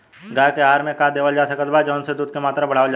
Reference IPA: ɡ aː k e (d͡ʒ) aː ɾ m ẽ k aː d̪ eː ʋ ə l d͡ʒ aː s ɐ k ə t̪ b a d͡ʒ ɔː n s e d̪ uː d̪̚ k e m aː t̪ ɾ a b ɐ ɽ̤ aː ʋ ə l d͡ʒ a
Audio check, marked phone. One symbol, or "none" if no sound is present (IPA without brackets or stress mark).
none